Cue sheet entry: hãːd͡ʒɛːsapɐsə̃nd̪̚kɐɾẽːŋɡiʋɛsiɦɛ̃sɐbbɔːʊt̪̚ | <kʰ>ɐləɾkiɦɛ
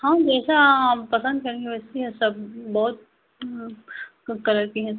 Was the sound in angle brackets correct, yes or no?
no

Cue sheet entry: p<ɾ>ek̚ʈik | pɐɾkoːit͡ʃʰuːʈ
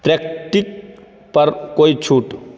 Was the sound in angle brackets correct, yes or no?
yes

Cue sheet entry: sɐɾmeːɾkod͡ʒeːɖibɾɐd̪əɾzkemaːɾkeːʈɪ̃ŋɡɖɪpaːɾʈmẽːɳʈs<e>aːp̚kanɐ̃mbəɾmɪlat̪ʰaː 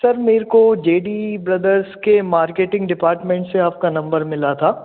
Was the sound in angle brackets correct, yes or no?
yes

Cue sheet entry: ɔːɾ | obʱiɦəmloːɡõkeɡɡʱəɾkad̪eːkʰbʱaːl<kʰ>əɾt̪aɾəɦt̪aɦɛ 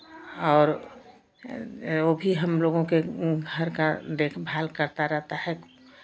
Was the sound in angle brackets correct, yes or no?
no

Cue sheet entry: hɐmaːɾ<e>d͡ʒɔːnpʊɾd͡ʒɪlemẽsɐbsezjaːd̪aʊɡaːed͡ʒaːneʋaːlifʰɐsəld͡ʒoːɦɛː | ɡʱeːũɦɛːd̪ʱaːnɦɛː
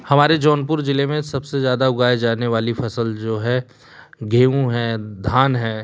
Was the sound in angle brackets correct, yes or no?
yes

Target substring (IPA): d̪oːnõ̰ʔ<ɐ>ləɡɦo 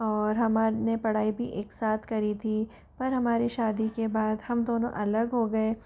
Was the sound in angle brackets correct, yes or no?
yes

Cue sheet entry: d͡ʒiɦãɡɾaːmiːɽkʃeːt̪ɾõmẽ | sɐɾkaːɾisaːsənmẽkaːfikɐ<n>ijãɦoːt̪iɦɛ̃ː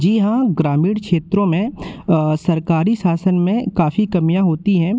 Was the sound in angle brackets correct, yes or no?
no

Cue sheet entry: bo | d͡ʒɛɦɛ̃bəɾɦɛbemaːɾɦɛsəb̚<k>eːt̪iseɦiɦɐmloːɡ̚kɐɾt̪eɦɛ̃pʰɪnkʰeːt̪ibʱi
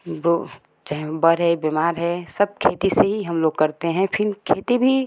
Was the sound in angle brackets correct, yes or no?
no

